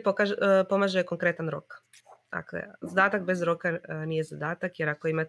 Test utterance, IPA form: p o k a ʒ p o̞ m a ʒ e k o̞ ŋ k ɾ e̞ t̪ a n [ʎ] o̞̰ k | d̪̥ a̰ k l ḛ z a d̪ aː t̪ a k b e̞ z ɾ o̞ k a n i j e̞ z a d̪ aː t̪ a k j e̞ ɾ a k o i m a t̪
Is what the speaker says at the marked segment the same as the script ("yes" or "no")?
no